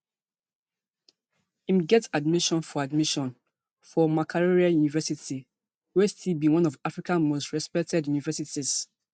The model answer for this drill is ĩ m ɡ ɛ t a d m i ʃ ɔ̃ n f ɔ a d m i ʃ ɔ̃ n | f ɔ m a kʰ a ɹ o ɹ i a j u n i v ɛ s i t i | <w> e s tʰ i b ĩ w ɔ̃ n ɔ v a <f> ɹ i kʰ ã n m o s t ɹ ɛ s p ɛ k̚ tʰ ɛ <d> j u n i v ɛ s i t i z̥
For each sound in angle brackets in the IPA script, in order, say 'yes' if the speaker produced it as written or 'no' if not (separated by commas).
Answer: yes, yes, yes